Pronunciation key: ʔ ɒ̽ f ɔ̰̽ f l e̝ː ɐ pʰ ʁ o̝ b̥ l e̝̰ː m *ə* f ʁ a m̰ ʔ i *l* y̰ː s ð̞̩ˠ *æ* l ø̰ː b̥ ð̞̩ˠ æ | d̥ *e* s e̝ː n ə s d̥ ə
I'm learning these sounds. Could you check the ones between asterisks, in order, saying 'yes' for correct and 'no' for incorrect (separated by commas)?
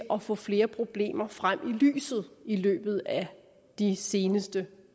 no, yes, no, no